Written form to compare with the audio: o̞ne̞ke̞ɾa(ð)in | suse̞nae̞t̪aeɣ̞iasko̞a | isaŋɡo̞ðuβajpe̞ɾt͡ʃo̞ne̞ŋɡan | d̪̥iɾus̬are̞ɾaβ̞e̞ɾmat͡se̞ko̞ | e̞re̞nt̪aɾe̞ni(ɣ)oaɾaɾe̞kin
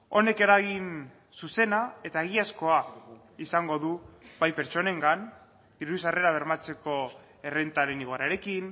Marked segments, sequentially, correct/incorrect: incorrect, correct

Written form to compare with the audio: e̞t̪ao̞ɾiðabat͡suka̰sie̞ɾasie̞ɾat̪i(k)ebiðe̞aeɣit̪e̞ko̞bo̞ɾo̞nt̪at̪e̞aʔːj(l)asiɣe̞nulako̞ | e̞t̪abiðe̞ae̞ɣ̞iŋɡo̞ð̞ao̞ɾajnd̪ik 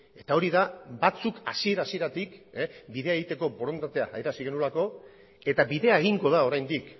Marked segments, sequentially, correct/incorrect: correct, incorrect

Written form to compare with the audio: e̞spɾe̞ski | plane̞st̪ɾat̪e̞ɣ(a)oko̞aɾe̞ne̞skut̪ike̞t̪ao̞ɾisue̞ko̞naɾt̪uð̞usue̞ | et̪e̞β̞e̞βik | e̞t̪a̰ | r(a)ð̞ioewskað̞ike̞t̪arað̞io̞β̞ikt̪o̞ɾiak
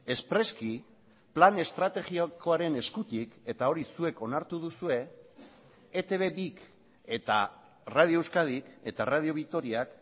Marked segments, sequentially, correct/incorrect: incorrect, correct

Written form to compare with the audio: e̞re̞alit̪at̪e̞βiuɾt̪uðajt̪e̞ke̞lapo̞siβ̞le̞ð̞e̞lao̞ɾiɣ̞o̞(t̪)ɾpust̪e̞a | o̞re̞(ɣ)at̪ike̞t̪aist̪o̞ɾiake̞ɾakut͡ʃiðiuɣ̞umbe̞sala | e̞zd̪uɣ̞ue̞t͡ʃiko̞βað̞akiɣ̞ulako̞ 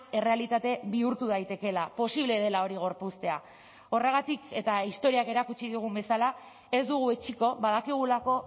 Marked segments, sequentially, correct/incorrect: incorrect, correct

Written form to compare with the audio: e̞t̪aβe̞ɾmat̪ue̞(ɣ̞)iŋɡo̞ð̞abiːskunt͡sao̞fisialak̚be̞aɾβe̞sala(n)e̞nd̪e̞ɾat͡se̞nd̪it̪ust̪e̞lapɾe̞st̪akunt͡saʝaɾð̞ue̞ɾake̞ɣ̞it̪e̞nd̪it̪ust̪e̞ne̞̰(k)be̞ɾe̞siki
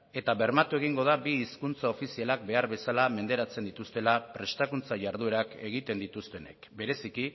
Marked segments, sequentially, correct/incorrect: correct, incorrect, correct

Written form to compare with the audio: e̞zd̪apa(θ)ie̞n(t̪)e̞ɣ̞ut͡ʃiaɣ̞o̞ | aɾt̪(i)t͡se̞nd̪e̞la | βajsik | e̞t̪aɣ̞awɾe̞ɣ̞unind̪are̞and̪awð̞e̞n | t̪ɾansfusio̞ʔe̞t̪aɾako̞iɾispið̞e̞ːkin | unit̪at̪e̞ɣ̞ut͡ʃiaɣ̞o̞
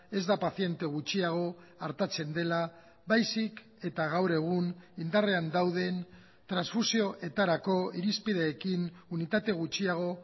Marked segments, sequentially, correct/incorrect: correct, correct, incorrect

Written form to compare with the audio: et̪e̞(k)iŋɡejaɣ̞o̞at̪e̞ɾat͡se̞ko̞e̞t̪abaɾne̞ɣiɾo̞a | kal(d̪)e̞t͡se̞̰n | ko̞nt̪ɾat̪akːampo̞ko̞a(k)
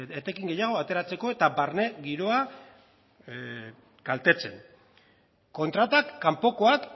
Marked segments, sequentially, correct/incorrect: correct, incorrect, correct

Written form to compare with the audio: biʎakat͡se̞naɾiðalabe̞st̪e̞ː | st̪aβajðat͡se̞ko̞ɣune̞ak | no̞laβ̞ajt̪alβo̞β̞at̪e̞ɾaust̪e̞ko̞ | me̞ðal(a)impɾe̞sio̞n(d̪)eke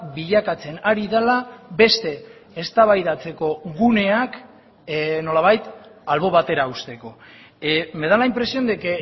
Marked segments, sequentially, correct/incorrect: correct, correct

